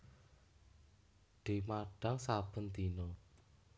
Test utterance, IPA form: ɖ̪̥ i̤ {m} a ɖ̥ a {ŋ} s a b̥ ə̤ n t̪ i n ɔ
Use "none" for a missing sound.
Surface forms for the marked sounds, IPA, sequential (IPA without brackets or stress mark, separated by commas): m, ŋ